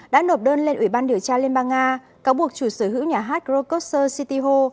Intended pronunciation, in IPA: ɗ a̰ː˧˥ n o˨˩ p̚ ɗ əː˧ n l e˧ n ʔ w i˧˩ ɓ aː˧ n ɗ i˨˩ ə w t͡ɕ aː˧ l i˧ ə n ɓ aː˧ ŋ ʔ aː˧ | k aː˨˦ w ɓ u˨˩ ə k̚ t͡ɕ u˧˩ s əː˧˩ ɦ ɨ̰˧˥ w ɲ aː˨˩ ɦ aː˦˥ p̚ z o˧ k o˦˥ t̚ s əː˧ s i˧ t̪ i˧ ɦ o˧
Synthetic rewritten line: ɗ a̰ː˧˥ n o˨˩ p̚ ɗ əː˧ n l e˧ n ʔ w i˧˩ ɓ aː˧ n ɗ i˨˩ ə w t͡ɕ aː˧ l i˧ ə n ɓ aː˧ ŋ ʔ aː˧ | k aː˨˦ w ɓ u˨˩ ə k̚ t͡ɕ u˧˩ s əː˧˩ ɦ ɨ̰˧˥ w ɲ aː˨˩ ɦ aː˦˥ t̚ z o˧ k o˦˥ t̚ s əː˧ s i˧ t̪ i˧ ɦ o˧